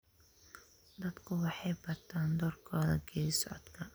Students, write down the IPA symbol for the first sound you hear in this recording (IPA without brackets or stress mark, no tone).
d̪